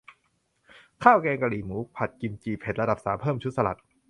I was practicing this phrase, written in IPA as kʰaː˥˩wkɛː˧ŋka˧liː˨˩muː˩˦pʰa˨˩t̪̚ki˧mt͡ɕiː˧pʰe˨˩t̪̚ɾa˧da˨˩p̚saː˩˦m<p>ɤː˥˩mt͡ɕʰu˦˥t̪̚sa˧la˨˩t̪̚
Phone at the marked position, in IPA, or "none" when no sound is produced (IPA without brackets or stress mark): pʰ